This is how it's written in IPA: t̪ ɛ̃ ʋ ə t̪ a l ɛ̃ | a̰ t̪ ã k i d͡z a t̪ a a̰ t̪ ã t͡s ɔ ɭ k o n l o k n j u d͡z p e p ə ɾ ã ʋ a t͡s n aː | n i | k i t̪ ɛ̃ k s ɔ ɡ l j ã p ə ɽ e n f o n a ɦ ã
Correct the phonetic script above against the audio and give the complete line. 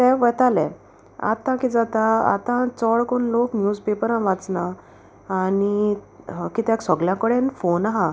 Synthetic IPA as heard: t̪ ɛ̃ ʋ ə t̪ a l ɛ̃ | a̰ t̪ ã k i d͡z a t̪ a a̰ t̪ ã t͡s ɔ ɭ k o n l o k n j u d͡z p e p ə ɾ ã ʋ a t͡s n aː | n i | k i t̪ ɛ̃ k s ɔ ɡ l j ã k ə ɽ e n f o n a ɦ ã